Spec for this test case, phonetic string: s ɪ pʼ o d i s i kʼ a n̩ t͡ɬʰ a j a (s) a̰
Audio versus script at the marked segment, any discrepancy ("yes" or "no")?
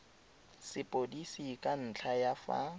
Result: yes